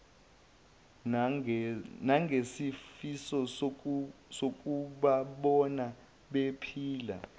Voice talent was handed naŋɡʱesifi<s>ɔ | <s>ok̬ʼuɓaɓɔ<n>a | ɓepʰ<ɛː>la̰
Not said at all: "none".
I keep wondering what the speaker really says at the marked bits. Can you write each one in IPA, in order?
s, s, n, iː

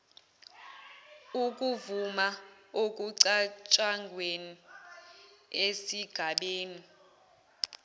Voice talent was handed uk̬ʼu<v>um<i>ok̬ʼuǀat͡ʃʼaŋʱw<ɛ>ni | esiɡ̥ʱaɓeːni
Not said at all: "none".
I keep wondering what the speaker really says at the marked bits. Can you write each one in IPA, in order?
v, a, e

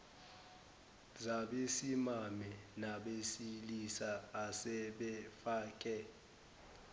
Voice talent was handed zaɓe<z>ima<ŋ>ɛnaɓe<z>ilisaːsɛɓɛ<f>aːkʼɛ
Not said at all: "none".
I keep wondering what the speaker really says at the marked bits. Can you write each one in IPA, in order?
s, m, s, f

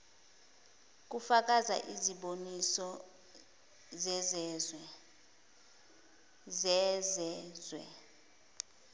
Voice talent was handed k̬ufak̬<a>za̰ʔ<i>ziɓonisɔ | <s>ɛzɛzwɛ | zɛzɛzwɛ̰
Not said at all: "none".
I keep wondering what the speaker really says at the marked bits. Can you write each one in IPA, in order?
a, i, z

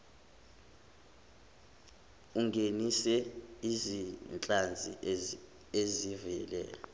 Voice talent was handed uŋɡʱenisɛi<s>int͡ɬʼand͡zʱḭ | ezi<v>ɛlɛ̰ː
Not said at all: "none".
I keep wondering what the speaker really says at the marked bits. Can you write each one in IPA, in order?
z, v

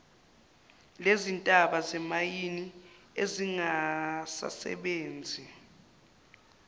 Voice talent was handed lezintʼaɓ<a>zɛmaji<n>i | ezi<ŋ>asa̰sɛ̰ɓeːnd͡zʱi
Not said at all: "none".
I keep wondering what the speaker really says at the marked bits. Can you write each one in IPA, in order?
a, n, ŋ

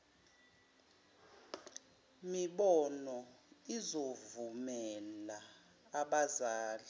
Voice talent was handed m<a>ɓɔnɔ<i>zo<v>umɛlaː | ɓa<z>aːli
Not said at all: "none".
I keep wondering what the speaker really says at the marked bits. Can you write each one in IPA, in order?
i, i, v, z

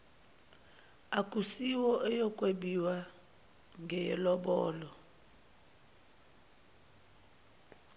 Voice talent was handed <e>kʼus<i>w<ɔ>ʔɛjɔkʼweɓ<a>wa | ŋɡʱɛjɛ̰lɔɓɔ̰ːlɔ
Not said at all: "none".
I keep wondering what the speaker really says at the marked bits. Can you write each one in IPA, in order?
a, i, ɔ, i

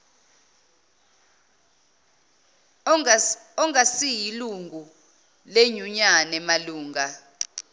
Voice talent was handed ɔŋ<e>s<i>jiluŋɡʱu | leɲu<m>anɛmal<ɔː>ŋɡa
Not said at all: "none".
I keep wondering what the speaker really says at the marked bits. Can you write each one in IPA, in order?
a, i, ɲ, uː

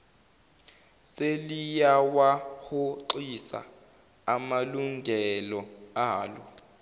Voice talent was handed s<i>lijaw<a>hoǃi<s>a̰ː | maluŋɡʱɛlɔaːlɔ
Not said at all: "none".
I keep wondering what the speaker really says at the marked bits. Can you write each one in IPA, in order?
e, a, s

